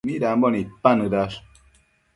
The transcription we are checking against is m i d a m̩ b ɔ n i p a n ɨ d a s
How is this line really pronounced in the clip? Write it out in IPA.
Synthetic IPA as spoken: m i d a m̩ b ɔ n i p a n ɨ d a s